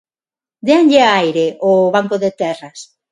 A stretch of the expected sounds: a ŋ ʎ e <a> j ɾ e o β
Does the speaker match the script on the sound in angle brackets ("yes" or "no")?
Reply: yes